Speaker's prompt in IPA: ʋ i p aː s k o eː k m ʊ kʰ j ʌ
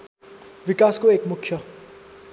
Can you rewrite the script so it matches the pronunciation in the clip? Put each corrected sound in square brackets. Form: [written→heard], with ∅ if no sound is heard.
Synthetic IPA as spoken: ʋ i [p→k] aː s k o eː k m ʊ kʰ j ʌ